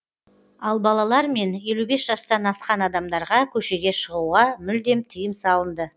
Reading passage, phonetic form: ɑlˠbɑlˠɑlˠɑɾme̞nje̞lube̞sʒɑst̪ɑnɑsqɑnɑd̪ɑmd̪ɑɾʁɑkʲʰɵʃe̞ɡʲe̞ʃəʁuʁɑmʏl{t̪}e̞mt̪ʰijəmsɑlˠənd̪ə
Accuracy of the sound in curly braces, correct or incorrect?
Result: incorrect: d̪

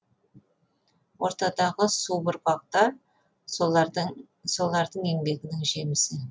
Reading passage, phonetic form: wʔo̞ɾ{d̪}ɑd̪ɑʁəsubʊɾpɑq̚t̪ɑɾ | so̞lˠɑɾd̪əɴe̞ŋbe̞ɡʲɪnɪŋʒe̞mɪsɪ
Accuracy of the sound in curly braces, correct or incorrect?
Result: incorrect: t̪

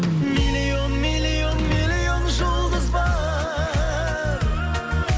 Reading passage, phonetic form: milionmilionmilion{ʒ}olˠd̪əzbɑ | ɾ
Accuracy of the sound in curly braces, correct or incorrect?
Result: correct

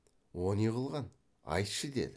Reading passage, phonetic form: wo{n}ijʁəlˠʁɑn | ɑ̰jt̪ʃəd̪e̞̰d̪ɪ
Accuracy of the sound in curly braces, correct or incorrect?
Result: correct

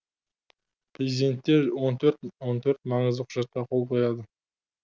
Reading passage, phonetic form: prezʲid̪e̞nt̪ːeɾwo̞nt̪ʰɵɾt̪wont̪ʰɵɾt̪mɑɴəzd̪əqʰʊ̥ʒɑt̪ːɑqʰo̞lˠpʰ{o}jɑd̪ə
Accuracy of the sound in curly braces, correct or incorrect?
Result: correct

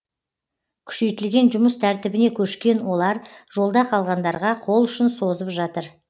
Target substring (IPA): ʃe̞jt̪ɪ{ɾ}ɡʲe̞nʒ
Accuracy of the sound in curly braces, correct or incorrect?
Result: incorrect: l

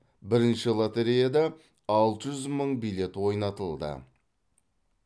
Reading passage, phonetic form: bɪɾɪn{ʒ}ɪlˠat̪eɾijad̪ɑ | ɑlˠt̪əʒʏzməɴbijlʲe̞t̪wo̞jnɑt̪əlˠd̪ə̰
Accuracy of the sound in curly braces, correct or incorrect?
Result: incorrect: ʃ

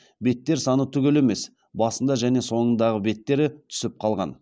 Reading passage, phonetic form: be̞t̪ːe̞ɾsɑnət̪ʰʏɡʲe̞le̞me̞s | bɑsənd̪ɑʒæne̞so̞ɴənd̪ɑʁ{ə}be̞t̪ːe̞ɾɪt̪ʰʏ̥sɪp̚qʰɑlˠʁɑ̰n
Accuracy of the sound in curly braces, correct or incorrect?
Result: correct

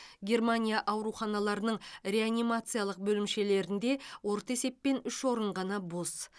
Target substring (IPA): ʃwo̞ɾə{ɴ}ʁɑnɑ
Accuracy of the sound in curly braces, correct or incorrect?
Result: correct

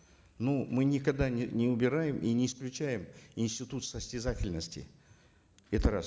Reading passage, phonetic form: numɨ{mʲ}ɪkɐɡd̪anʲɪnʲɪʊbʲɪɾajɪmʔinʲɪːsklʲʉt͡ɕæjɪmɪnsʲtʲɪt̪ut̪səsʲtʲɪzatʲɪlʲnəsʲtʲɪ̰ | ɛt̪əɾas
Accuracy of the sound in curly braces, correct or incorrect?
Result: incorrect: nʲ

